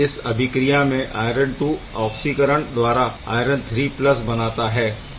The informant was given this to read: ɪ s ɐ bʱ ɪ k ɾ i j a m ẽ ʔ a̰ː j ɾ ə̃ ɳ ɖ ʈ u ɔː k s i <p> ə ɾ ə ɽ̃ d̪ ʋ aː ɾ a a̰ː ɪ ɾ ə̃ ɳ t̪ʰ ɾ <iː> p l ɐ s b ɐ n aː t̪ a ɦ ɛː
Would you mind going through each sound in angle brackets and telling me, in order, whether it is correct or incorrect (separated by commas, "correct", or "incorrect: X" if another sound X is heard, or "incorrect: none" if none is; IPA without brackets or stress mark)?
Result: incorrect: k, correct